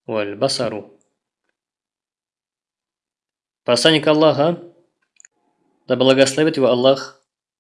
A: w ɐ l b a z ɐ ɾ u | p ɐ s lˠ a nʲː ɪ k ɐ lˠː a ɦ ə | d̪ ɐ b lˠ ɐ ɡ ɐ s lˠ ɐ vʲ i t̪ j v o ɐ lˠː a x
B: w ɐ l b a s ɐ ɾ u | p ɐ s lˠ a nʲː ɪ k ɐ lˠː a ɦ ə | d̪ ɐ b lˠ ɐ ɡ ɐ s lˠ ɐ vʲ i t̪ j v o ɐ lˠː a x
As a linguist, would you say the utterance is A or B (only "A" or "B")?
B